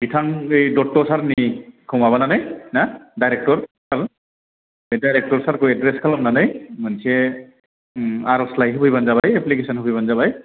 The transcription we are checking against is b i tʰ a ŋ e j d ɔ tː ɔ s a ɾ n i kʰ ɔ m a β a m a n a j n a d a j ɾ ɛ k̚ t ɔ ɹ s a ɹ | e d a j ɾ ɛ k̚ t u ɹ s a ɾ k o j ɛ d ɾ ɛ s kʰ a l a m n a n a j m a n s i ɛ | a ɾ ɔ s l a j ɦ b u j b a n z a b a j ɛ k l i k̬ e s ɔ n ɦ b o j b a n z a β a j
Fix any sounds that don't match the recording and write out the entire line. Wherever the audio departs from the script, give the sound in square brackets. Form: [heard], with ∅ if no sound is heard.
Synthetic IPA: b i tʰ a ŋ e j d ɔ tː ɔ s a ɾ n i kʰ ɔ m a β a [n] a n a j n a d a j ɾ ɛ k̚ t ɔ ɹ s a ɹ | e d a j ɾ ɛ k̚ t [ɔ] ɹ s a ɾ k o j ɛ d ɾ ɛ s kʰ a l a m n a n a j m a n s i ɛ | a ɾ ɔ s l a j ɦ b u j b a n z a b a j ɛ [p] l i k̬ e s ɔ n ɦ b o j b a n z a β a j

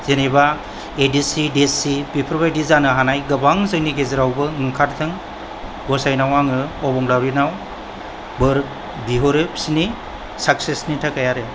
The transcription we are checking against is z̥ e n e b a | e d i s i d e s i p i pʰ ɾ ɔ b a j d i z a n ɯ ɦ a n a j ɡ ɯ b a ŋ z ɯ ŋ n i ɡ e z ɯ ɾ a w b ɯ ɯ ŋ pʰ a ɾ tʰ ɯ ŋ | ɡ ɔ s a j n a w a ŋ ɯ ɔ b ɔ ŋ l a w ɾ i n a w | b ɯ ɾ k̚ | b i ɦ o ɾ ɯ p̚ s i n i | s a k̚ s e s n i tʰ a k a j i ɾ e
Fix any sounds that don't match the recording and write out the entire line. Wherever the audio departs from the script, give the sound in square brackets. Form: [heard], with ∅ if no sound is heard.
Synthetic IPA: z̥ e n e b a | e d i s i d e s i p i pʰ ɾ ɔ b a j d i z a n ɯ ɦ a n a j ɡ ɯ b a ŋ z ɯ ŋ n i ɡ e z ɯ ɾ a w b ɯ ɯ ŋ [kʰ] a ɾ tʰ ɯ ŋ | ɡ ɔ s a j n a w a ŋ ɯ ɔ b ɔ ŋ l a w ɾ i n a w | b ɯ ɾ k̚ | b i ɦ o ɾ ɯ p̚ s i n i | s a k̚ s e s n i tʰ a k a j [a] ɾ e

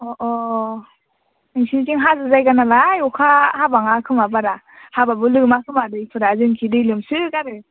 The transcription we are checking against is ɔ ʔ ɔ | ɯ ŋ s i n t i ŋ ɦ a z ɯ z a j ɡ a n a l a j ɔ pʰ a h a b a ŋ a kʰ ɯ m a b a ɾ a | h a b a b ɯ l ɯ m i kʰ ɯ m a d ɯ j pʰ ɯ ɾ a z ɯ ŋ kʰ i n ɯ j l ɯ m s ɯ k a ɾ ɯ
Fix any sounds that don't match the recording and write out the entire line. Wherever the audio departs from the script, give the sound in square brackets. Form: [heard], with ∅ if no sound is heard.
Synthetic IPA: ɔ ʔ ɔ | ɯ ŋ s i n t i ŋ ɦ a z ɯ z a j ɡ a n a l a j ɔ [kʰ] a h a b a ŋ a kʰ ɯ m a b a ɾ a | h a b a b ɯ l ɯ m [a] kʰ ɯ m a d ɯ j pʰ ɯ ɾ a z ɯ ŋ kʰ i [d] ɯ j l ɯ m s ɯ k a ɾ ɯ

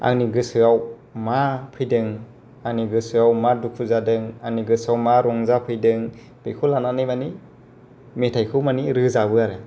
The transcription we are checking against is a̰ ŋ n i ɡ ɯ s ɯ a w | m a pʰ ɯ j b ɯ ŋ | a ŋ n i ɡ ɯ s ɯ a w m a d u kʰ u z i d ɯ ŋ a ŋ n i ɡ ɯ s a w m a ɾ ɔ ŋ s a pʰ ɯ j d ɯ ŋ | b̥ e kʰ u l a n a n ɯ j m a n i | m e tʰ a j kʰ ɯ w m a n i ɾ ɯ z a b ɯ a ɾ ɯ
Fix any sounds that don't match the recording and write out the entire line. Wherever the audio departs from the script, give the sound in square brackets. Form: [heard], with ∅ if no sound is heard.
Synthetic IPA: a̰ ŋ n i ɡ ɯ s ɯ a w | m a pʰ ɯ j [d] ɯ ŋ | a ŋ n i ɡ ɯ s ɯ a w m a d u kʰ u z [a] d ɯ ŋ a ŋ n i ɡ ɯ s a w m a ɾ ɔ ŋ [z] a pʰ ɯ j d ɯ ŋ | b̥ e kʰ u l a n a n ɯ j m a n i | m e tʰ a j kʰ ɯ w m a n i ɾ ɯ z a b ɯ a ɾ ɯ

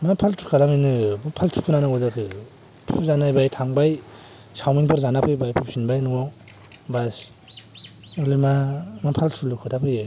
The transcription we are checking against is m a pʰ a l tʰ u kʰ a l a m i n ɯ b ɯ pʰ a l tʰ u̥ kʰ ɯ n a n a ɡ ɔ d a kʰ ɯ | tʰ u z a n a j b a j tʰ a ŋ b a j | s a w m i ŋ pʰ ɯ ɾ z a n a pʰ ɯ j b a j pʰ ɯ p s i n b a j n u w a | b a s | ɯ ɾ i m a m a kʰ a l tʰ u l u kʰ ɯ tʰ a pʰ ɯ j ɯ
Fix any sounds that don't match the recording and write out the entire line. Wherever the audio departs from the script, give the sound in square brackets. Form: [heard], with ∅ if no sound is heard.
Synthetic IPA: m a pʰ a l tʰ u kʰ a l a m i n ɯ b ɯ pʰ a l tʰ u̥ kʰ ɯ n a n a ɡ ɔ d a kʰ ɯ | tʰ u z a n a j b a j tʰ a ŋ b a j | s a w m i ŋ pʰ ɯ ɾ z a n a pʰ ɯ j b a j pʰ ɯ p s i n b a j n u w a | b a s | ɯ [l] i m a m a [pʰ] a l tʰ u l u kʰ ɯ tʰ a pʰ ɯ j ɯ

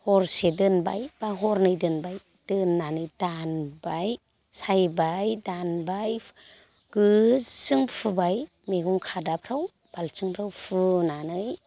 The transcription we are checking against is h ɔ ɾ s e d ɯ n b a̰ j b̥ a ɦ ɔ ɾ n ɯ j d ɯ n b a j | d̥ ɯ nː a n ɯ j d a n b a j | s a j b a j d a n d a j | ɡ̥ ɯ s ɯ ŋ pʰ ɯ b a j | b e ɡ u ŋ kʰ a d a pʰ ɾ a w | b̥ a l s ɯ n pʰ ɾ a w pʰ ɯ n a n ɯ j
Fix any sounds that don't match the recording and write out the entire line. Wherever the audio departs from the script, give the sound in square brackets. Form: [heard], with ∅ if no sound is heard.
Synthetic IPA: h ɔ ɾ s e d ɯ n b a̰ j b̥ a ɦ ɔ ɾ n ɯ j d ɯ n b a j | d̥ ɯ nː a n ɯ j d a n b a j | s a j b a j d a n [b] a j | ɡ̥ ɯ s ɯ ŋ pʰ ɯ b a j | [m] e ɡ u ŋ kʰ a d a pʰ ɾ a w | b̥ a l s ɯ [ŋ] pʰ ɾ a w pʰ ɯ n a n ɯ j

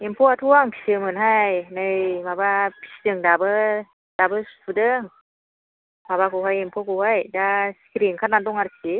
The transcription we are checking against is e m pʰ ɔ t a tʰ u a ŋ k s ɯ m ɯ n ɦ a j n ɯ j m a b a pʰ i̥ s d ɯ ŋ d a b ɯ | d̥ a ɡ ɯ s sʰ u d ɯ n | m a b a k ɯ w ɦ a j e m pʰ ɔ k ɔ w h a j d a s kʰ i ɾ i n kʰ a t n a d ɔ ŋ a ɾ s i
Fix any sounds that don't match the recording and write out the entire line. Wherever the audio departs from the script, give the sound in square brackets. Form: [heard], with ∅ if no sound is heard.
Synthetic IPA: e m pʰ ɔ [∅] a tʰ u a ŋ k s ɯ m ɯ n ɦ a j n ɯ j m a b a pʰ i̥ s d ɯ ŋ d a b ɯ | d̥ a [b] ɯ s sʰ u d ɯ [ŋ] | m a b a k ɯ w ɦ a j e m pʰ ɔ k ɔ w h a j d a s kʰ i ɾ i [ŋ] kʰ a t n a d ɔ ŋ a ɾ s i

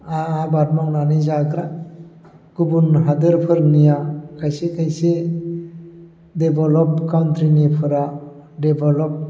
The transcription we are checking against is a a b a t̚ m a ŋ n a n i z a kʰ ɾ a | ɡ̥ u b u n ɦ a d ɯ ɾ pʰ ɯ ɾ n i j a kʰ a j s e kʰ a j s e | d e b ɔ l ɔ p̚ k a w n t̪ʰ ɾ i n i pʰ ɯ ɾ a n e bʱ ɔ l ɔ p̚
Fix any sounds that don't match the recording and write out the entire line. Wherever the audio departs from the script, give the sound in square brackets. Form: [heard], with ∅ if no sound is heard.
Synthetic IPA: a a b a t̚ m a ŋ n a n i z a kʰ ɾ a | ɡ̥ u b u n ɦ a d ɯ ɾ pʰ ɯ ɾ n i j a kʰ a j s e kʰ a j s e | d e b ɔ l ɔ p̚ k a w n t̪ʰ ɾ i n i pʰ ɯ ɾ a [d] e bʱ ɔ l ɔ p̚

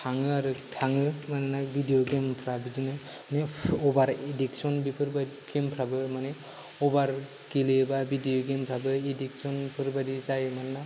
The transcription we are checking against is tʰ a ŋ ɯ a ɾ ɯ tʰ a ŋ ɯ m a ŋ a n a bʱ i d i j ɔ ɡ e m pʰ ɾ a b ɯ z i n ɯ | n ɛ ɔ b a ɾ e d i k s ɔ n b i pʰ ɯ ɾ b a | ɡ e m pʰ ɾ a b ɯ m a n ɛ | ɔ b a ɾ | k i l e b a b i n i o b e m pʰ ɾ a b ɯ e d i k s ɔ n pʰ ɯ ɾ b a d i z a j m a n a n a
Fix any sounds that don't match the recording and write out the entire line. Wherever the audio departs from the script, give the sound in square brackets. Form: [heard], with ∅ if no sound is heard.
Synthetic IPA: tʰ a ŋ ɯ a ɾ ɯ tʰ a ŋ ɯ m a [n] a n a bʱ i d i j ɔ ɡ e m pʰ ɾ a b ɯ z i n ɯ | n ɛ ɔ b a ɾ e d i k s ɔ n b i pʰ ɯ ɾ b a | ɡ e m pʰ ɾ a b ɯ m a n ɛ | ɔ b a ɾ | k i l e b a b i [d] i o [ɡ] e m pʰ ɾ a b ɯ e d i k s ɔ n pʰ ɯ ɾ b a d i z a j m a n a n a

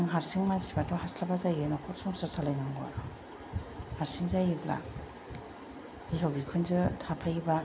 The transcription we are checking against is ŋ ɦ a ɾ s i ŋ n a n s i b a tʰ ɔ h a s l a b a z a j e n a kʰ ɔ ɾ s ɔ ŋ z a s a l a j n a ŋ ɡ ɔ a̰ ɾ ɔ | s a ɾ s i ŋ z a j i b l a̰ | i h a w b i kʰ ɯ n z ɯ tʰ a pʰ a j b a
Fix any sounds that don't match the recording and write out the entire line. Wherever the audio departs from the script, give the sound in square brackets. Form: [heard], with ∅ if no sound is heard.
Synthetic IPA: ŋ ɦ a ɾ s i ŋ [m] a n s i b a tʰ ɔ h a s l a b a z a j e n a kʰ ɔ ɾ s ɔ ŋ [s] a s a l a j n a ŋ ɡ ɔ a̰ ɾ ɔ | [h] a ɾ s i ŋ z a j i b l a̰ | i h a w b i kʰ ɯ n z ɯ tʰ a pʰ a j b a

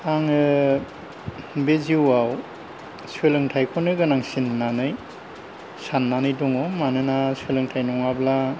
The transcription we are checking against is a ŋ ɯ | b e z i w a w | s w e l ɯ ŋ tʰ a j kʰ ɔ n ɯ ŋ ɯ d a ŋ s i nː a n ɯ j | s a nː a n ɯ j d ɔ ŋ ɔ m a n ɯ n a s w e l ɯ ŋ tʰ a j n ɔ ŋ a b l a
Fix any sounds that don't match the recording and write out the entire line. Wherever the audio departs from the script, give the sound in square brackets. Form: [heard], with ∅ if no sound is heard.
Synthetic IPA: a ŋ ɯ | b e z i w a w | s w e l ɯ ŋ tʰ a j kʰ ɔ n ɯ [ɡ] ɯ [n] a ŋ s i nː a n ɯ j | s a nː a n ɯ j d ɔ ŋ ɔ m a n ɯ n a s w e l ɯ ŋ tʰ a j n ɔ ŋ a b l a

